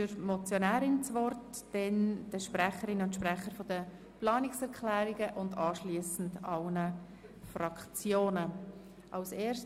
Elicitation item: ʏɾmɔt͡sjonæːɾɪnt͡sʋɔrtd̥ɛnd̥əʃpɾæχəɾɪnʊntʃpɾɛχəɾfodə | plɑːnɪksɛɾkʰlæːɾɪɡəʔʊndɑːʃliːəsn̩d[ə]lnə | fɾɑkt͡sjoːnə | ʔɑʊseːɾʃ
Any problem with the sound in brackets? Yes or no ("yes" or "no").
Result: yes